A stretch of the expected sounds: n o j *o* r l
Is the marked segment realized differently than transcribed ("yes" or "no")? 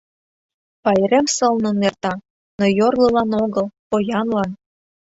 no